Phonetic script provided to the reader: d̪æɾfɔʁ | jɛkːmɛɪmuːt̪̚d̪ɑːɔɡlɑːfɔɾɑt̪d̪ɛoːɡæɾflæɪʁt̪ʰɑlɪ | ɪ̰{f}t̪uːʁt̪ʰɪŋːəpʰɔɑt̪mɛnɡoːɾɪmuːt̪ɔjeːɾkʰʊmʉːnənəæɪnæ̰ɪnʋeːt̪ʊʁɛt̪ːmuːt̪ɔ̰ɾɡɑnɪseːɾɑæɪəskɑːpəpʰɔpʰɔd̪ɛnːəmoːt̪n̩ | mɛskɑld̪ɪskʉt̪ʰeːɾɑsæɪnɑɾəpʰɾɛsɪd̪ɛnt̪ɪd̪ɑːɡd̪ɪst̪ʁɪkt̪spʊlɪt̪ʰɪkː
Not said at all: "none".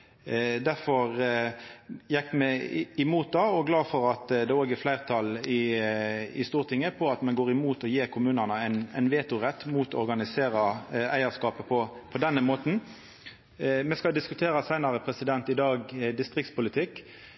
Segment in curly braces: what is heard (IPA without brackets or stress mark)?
s